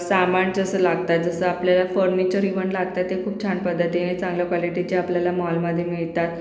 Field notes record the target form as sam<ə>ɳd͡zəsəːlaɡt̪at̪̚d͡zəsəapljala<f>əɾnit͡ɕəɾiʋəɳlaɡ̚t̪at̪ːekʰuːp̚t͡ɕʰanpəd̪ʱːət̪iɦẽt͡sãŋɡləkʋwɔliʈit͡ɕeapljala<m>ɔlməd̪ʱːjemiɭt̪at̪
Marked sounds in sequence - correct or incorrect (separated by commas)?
incorrect, correct, correct